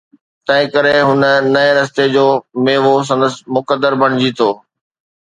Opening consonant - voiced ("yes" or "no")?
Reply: no